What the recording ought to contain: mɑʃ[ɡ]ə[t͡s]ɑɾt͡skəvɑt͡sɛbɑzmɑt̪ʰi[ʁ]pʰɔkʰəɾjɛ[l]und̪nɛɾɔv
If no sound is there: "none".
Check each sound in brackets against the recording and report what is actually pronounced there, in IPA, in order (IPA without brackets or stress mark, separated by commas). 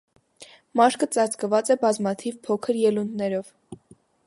k, t͡s, v, l